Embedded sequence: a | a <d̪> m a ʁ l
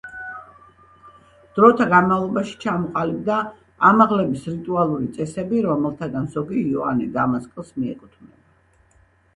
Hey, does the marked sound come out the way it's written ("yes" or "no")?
no